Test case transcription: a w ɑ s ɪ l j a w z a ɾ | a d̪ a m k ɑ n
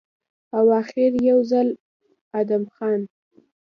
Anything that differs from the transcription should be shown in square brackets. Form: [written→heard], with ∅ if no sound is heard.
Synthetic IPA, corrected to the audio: a w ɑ [s→x] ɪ [l→ɾ] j a w z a [ɾ→l] | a d̪ a m [k→x] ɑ n